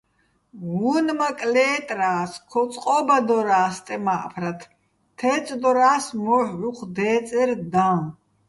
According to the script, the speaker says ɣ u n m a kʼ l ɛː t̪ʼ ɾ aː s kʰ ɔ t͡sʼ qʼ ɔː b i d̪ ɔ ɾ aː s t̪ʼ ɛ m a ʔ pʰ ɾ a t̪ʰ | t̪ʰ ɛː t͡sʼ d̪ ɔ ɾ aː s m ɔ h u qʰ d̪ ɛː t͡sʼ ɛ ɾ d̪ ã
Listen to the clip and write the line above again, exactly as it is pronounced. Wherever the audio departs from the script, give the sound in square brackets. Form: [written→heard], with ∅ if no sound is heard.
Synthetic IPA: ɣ u n m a kʼ l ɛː t̪ʼ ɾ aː s kʰ ɔ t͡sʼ qʼ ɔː b [i→a] d̪ ɔ ɾ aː s t̪ʼ ɛ m a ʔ pʰ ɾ a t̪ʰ | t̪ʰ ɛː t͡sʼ d̪ ɔ ɾ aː s m ɔ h u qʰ d̪ ɛː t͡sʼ ɛ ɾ d̪ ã